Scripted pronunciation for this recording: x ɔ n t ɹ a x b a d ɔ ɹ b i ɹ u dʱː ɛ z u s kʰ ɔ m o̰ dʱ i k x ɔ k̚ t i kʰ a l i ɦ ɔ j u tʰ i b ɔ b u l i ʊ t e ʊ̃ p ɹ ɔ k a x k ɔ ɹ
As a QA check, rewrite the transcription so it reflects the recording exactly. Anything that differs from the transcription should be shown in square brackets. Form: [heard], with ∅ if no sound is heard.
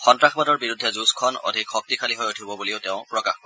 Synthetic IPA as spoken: x ɔ n t ɹ a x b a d ɔ ɹ b i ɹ u dʱː ɛ z u s kʰ ɔ [n] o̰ dʱ i k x ɔ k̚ t i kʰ a l i ɦ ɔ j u tʰ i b ɔ b u l i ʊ t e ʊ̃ p ɹ ɔ k a x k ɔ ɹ